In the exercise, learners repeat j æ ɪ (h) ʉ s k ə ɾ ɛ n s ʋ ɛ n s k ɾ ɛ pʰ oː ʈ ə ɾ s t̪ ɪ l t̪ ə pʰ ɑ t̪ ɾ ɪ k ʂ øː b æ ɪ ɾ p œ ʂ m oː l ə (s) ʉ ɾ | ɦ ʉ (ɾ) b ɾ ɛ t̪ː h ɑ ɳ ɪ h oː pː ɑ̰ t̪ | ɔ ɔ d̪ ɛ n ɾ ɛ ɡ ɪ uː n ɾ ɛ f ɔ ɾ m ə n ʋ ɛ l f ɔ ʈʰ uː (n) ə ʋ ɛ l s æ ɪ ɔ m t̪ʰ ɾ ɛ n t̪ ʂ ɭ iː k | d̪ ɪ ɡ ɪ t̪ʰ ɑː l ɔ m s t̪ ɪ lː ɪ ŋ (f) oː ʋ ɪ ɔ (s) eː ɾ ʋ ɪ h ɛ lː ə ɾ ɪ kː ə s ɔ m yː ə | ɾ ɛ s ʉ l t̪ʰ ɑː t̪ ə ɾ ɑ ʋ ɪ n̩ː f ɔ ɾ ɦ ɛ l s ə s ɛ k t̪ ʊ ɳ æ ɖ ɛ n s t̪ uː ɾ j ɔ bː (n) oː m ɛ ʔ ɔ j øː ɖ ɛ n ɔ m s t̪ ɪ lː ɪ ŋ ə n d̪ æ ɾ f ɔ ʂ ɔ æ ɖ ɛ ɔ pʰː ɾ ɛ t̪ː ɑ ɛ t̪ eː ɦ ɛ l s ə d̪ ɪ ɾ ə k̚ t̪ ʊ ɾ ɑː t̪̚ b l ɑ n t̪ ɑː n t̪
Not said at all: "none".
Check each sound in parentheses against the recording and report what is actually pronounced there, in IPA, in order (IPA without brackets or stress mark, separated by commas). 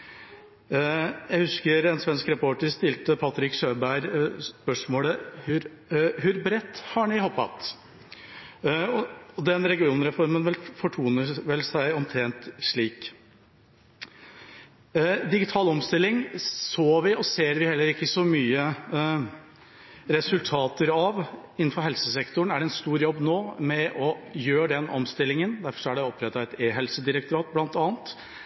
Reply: h, h, ɾ, n, s, s, n